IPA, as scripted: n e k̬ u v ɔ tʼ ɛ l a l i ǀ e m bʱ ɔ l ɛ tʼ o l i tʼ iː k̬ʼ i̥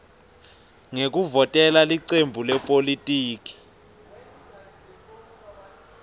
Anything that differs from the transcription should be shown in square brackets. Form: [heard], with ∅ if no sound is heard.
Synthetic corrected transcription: [ŋ] e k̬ u v ɔ tʼ ɛ l a l i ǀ e m bʱ [u] l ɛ [pʼ] o l i tʼ iː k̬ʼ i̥